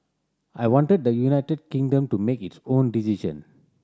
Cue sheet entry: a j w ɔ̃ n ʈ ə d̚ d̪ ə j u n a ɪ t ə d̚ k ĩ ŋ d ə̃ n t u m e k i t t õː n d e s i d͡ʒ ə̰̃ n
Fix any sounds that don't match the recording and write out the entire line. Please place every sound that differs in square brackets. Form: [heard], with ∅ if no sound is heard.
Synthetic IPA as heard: a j w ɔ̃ n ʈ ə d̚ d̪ ə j u n a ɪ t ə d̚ k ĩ ŋ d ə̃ [m] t u m e k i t [s] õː n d [i] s i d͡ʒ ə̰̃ n